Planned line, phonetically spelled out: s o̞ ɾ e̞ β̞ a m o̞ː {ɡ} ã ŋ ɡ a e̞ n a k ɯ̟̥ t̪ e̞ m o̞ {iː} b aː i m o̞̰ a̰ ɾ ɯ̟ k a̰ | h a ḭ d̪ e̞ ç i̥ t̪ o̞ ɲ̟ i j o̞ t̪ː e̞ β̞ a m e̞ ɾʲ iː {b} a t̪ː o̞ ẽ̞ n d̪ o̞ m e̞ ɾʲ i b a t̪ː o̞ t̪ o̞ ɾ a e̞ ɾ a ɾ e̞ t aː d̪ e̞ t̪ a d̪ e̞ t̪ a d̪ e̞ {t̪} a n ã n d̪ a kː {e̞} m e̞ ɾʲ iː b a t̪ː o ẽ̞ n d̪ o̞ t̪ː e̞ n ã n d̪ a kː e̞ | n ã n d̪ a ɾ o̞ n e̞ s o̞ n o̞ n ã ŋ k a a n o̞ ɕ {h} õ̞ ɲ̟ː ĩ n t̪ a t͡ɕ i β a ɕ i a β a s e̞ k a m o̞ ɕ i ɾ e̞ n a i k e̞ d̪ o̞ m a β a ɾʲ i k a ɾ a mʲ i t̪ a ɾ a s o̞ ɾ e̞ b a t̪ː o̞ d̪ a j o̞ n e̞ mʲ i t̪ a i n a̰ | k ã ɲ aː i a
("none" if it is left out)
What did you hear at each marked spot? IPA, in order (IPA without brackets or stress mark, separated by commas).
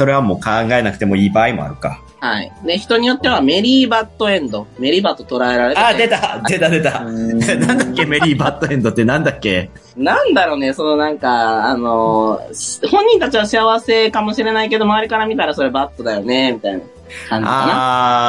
k, iː, b, t̪, e̞, h